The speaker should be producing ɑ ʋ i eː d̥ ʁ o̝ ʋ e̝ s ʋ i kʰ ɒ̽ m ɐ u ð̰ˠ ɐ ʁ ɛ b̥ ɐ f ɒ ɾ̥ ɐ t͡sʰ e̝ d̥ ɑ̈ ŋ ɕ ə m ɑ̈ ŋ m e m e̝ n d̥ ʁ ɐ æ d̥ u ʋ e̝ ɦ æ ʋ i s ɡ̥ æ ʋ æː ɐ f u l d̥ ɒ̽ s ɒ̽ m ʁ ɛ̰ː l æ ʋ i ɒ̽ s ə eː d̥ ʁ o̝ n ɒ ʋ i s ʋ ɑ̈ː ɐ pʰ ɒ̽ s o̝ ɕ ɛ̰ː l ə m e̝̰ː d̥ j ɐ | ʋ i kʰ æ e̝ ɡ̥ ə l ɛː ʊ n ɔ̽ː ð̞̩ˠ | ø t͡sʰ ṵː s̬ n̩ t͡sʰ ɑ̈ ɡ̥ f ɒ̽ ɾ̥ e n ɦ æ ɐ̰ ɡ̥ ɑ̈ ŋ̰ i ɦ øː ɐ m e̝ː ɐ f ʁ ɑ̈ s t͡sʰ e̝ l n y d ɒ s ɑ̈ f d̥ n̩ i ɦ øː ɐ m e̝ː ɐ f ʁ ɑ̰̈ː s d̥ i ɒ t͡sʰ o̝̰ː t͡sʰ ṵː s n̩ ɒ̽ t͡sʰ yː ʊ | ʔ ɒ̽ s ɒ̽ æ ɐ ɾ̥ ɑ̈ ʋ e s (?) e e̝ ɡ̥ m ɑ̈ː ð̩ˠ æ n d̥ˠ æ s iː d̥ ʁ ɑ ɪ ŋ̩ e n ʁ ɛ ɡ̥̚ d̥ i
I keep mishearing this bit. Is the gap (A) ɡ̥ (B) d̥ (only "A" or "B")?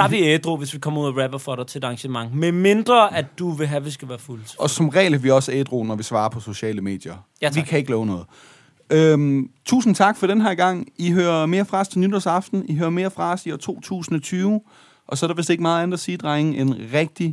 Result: B